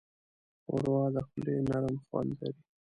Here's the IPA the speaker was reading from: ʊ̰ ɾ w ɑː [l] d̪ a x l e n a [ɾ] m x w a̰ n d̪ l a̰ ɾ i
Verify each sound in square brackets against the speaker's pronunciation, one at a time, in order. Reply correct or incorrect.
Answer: incorrect: none, correct

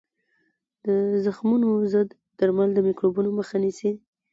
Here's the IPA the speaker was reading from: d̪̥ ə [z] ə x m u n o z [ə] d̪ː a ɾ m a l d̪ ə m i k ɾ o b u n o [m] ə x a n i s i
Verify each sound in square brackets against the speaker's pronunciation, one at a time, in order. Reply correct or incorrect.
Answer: correct, correct, correct

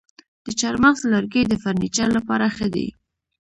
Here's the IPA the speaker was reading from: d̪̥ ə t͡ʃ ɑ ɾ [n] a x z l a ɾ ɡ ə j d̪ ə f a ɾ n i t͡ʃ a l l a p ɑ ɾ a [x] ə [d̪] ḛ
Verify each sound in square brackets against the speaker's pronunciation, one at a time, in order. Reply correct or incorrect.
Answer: incorrect: m, correct, correct

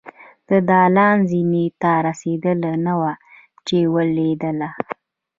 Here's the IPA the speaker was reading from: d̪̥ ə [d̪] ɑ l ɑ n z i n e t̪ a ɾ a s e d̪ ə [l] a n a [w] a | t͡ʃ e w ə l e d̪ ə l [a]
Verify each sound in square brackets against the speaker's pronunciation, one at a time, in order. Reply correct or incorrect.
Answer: correct, correct, correct, correct

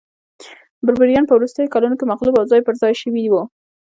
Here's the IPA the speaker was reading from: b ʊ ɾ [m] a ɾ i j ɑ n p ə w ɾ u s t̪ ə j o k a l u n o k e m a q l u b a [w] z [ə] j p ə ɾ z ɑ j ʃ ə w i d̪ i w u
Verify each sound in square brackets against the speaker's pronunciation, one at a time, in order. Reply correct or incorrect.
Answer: incorrect: b, correct, incorrect: ɑ

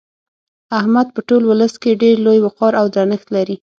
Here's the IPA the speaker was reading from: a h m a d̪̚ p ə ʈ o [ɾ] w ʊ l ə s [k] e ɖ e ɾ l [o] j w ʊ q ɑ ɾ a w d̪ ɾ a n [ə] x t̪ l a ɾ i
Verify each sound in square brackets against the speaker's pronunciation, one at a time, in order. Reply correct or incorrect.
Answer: incorrect: l, correct, correct, correct

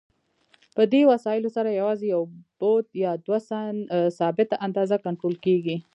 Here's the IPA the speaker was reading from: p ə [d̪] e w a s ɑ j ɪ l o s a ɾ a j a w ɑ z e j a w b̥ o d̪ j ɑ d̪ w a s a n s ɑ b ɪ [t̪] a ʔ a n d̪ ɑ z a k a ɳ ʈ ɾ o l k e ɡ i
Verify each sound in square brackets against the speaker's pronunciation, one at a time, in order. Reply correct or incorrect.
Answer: correct, correct

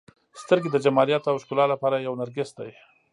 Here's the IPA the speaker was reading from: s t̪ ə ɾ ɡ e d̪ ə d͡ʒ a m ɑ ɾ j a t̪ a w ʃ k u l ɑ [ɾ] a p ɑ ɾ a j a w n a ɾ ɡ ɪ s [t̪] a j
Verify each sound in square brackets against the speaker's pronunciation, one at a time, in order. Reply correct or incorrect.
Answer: incorrect: l, incorrect: d̪

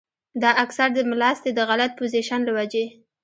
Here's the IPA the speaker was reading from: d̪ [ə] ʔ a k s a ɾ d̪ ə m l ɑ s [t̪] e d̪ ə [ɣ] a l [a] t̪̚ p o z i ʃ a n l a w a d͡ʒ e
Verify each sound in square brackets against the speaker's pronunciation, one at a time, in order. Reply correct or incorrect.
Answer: incorrect: ɑ, correct, correct, correct

